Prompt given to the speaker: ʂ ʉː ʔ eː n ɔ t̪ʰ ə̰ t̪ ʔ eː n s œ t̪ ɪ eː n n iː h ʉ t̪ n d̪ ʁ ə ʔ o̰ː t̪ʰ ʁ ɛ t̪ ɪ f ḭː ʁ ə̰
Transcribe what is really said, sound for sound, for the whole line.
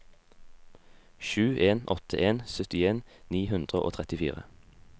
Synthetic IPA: ʃ ʉː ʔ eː n ɔ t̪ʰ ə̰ ʔ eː n s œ t̪ ɪ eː n n iː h ʉ n d̪ ʁ ə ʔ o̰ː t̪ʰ ʁ ɛ t̪ ɪ f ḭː ʁ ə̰